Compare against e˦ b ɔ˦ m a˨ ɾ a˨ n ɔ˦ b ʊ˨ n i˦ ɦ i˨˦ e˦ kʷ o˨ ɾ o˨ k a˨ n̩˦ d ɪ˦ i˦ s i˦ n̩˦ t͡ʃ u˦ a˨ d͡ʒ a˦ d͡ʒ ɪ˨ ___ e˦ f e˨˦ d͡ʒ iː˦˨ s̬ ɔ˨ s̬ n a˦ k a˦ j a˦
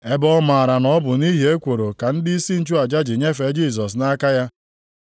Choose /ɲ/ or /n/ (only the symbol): ɲ